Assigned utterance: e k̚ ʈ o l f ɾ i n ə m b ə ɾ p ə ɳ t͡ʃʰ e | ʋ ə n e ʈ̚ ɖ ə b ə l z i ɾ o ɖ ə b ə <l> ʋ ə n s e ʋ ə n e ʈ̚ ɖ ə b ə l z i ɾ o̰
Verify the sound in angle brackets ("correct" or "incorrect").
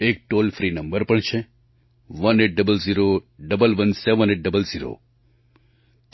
correct